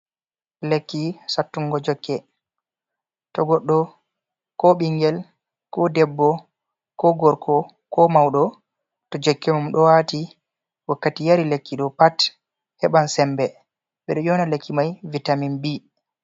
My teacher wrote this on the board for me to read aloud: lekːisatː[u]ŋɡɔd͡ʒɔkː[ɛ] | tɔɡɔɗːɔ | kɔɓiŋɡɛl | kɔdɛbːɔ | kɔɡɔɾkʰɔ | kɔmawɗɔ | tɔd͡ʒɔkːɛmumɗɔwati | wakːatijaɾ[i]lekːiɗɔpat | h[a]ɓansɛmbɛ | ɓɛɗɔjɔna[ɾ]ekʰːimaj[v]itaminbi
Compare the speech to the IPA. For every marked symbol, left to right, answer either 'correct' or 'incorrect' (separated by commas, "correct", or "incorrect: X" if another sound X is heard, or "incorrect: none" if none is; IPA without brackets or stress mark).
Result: correct, correct, correct, incorrect: ɛ, incorrect: l, correct